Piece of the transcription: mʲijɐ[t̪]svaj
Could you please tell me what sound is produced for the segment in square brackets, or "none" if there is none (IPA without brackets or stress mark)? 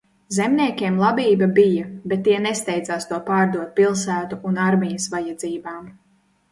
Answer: none